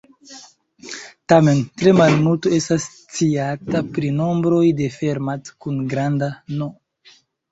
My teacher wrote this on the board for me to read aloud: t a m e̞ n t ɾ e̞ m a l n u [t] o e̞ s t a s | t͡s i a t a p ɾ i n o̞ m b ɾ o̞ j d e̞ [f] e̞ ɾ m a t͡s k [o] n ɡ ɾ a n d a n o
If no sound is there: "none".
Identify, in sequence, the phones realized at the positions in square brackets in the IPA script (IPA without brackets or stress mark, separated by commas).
t, f, u